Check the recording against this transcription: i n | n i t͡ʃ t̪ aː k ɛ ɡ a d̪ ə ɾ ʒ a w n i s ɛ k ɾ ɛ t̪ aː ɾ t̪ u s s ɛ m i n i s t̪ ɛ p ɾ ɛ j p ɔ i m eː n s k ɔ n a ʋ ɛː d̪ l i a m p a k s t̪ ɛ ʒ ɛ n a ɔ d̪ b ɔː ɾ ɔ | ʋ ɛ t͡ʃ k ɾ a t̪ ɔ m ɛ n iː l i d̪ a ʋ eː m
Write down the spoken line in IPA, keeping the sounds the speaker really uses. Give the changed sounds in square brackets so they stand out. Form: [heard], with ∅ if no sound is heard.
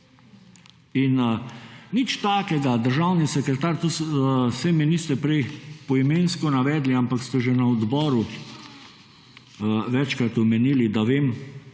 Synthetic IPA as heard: i n | n i t͡ʃ t̪ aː k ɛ ɡ a d̪ ə ɾ ʒ a w n i s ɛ k ɾ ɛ t̪ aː ɾ t̪ u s s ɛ m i n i s t̪ ɛ p ɾ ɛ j p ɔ i m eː n s k ɔ n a ʋ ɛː d̪ l i a m p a k s t̪ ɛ ʒ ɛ n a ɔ d̪ b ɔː ɾ [u] | ʋ ɛ t͡ʃ k ɾ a t̪ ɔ m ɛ n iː l i d̪ a ʋ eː m